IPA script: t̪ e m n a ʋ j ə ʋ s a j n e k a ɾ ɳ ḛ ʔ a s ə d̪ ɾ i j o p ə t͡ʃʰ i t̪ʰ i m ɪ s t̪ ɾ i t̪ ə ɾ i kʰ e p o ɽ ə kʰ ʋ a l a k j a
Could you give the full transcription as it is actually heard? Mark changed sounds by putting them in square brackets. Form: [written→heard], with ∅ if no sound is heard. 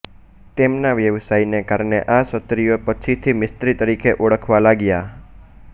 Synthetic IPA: t̪ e m n a ʋ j ə ʋ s a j n e k a ɾ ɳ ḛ ʔ a s ə [d̪→t̪] ɾ i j o p ə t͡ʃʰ i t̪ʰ i m ɪ s t̪ ɾ i t̪ ə ɾ i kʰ e [p→ʔ] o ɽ ə kʰ ʋ a l a [k→ɡ] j a